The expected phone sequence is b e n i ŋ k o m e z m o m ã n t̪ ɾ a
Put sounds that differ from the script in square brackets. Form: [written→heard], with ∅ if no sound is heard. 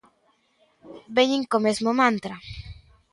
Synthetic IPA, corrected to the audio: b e [n→ɲ] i ŋ k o m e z m o m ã n t̪ ɾ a